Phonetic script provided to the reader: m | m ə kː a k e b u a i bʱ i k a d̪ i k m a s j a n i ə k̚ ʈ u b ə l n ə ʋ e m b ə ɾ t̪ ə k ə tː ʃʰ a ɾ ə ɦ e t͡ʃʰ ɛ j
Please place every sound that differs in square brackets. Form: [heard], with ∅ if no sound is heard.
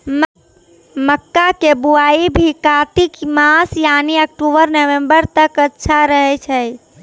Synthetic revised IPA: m | m ə kː a k e b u a i bʱ i k a [t̪] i k m a s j a n i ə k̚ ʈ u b ə [ɾ] n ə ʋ e m b ə ɾ t̪ ə k ə tː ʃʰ a ɾ ə ɦ [ɛ] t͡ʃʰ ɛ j